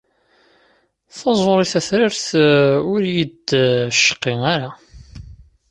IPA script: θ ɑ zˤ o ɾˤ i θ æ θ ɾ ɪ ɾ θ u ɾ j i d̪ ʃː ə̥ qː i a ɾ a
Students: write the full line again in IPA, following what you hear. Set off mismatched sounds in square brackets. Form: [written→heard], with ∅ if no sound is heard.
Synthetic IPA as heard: θ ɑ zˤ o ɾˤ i θ æ θ ɾ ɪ ɾ θ [u→ʊ] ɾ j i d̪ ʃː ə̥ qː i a ɾ a